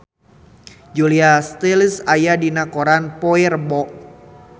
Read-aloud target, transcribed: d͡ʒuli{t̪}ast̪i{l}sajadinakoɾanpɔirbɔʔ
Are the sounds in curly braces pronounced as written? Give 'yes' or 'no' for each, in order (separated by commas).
no, yes